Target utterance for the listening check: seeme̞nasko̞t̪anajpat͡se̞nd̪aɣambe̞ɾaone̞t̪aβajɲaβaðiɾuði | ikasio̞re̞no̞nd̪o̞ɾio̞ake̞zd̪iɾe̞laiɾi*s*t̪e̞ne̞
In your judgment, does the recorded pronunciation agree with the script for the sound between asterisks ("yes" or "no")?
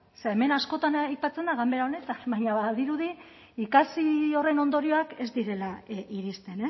yes